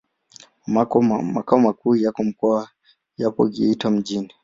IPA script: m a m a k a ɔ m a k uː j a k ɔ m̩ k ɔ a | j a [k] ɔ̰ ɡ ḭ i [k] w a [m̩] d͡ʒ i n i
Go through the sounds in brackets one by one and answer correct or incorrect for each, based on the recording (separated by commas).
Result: incorrect, incorrect, correct